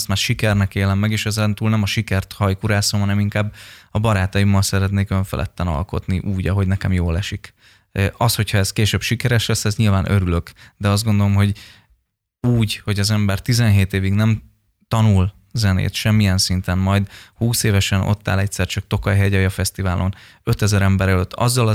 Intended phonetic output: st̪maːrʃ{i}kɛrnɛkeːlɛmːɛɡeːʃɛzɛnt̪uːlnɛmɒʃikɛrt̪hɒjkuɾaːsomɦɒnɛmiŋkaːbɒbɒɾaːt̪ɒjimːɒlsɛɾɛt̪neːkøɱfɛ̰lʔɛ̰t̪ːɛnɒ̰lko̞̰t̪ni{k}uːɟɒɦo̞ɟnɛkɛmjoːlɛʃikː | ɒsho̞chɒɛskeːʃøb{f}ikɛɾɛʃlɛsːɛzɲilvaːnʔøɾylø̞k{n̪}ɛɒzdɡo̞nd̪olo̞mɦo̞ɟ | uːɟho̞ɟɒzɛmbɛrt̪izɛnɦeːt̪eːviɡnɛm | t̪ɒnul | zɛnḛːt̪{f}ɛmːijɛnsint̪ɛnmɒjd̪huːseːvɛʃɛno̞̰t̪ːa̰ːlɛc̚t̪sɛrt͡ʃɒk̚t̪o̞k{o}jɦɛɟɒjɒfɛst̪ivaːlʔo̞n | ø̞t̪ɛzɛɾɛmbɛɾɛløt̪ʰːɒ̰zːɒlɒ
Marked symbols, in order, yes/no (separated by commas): yes, no, no, no, no, no